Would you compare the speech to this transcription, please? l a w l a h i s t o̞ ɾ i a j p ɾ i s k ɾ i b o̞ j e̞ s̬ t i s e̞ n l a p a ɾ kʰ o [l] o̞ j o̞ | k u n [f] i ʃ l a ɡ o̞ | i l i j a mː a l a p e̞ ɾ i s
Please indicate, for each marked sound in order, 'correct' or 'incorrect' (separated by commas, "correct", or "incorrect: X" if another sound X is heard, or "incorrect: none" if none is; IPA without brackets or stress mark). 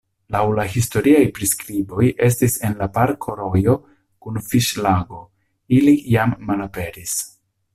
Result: incorrect: ɾ, correct